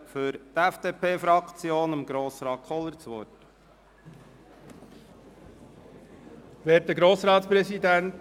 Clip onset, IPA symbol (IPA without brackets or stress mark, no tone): f